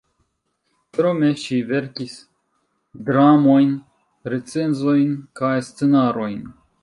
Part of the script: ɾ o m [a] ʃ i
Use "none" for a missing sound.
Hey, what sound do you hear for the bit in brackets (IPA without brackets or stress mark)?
e